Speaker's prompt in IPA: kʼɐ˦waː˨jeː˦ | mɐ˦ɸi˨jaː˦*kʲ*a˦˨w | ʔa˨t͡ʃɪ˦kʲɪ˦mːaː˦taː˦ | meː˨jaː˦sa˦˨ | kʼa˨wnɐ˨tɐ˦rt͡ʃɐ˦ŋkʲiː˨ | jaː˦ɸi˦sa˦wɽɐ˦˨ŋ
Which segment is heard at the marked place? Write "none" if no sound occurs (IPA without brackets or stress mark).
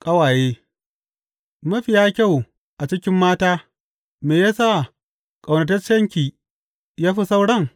kʲ